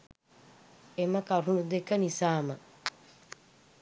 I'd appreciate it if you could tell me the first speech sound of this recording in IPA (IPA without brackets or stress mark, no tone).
e